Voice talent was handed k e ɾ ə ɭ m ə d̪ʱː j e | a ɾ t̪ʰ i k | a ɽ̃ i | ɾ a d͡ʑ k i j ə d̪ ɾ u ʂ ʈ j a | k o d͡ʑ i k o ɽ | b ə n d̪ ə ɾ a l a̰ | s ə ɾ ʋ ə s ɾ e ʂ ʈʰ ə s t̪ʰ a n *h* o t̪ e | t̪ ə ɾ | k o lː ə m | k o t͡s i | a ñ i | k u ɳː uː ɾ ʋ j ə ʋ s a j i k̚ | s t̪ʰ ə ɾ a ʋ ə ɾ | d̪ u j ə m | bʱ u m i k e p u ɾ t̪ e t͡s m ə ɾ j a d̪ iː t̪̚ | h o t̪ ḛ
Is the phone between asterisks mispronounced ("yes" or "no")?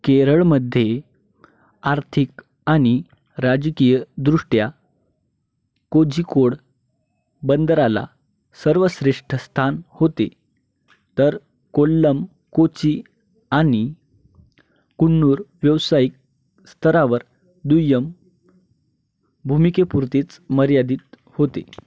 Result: no